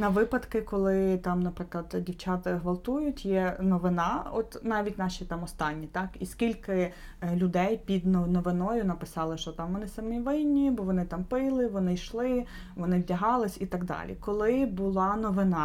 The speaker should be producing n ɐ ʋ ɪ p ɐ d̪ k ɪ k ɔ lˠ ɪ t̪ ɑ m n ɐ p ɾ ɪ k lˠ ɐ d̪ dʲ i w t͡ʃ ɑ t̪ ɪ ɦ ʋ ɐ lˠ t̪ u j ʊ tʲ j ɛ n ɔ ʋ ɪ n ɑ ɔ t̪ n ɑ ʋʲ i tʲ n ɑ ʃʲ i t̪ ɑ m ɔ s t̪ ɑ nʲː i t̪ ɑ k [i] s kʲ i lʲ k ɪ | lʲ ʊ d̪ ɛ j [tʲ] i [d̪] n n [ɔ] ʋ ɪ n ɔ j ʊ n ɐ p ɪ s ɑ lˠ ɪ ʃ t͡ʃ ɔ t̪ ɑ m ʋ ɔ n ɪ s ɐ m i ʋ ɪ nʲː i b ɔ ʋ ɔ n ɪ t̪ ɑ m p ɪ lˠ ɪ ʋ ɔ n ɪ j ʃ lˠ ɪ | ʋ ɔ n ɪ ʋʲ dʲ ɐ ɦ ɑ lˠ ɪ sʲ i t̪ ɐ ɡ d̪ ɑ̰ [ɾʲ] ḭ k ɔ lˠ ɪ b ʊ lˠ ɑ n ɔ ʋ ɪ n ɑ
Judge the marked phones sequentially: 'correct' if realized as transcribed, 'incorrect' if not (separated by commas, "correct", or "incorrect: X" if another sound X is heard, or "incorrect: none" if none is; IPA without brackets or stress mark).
correct, incorrect: pʲ, correct, correct, incorrect: lʲ